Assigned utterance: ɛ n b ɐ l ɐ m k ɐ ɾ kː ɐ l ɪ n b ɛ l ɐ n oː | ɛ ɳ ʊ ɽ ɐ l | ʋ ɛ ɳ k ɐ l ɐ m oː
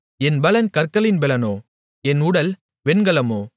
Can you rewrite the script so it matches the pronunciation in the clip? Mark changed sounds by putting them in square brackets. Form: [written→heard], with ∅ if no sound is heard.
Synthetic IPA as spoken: ɛ n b ɐ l ɐ [m→n] k ɐ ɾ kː ɐ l ɪ n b ɛ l ɐ n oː | ɛ [ɳ→n] ʊ ɽ ɐ l | ʋ ɛ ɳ [k→ɡ] ɐ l ɐ m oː

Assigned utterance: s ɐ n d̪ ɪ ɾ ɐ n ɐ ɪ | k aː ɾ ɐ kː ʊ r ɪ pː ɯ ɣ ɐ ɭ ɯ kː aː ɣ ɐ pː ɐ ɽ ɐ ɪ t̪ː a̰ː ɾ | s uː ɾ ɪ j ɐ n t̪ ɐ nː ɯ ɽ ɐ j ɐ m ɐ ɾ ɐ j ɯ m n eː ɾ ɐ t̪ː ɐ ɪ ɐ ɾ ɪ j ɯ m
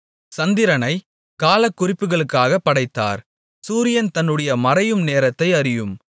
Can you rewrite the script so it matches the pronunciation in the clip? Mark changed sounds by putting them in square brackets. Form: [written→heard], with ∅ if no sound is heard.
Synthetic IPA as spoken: s ɐ n d̪ ɪ ɾ ɐ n ɐ ɪ | k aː [ɾ→l] ɐ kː ʊ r ɪ pː ɯ ɣ ɐ ɭ ɯ kː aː ɣ ɐ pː ɐ ɽ ɐ ɪ t̪ː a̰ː ɾ | s uː ɾ ɪ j ɐ n t̪ ɐ nː ɯ ɽ ɐ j ɐ m ɐ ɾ ɐ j ɯ m n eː ɾ ɐ t̪ː ɐ ɪ ɐ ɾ ɪ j ɯ m

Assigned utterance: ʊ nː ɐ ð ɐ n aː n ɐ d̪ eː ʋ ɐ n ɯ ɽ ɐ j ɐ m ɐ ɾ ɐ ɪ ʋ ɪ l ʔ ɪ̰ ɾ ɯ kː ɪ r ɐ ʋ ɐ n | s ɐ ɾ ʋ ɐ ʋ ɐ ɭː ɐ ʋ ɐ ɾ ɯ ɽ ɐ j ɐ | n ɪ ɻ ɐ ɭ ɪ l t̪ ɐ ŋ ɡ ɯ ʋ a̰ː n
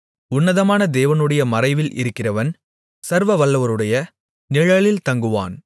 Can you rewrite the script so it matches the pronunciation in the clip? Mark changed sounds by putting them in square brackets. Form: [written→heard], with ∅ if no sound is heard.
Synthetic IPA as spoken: ʊ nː ɐ ð ɐ [n→m] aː n ɐ d̪ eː ʋ ɐ n ɯ ɽ ɐ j ɐ m ɐ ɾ ɐ ɪ ʋ ɪ l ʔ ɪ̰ ɾ ɯ kː ɪ r ɐ ʋ ɐ n | s ɐ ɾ ʋ ɐ ʋ ɐ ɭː ɐ ʋ ɐ ɾ ɯ ɽ ɐ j ɐ | n ɪ ɻ ɐ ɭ ɪ l t̪ ɐ ŋ ɡ ɯ ʋ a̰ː n

